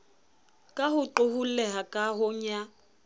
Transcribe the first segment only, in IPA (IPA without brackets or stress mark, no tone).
kʼ